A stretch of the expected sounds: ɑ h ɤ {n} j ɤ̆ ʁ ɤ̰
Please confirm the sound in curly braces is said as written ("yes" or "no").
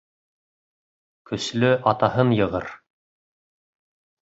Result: yes